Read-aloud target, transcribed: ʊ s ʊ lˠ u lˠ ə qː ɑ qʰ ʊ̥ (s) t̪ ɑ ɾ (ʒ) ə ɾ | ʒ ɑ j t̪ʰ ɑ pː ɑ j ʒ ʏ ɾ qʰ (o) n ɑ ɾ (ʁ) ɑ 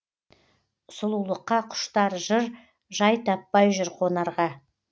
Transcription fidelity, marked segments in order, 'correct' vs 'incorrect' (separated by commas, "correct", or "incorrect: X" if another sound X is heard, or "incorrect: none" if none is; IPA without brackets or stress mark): incorrect: ʃ, correct, correct, correct